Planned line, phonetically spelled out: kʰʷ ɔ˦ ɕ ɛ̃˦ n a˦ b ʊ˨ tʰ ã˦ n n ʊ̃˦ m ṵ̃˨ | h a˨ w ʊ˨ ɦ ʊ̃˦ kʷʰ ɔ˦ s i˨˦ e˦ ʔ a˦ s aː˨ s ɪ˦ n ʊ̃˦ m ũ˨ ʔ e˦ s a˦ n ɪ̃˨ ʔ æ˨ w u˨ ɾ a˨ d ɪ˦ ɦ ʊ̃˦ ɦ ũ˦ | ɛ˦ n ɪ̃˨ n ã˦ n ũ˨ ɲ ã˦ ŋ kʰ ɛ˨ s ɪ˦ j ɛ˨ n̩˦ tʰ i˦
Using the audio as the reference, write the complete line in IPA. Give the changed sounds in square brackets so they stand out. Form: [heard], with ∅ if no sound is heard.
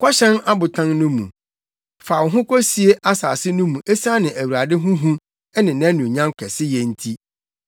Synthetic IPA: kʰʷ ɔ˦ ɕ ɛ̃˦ n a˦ b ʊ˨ tʰ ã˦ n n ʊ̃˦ m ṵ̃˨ | [f] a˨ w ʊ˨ ɦ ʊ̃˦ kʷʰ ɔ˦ s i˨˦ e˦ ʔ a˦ s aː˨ s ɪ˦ n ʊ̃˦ m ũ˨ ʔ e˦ s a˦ n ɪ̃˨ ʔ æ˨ w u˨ ɾ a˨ d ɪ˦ ɦ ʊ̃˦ ɦ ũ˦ | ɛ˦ n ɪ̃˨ n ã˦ n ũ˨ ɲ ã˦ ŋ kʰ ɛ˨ s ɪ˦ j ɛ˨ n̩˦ tʰ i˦